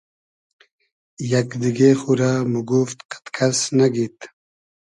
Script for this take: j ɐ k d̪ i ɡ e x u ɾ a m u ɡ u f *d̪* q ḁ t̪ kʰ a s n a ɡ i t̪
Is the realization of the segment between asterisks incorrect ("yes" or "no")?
yes